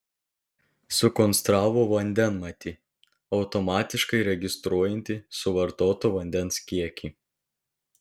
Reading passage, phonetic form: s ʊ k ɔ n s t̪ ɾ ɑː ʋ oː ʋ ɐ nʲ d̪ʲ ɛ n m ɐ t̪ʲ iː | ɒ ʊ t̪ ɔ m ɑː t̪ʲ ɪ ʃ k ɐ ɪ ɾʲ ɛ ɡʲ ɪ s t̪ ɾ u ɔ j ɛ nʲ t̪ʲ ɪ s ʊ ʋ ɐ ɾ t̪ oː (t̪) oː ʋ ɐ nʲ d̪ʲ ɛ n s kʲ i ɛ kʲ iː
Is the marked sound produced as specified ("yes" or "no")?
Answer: yes